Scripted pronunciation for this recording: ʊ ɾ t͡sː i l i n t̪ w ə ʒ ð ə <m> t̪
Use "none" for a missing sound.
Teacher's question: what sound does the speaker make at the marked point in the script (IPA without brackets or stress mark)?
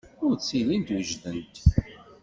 n